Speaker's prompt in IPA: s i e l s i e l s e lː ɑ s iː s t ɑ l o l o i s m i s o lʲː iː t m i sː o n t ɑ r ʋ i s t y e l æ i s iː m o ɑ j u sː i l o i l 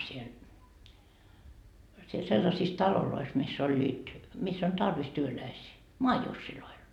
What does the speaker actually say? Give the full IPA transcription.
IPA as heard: s i e l s i e l s e lː ɑ s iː s t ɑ l o l o i s m i sː o lʲː iː t m i sː o n t ɑ r ʋ i s t y ø l æ i s iː m o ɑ j u sː i l o i l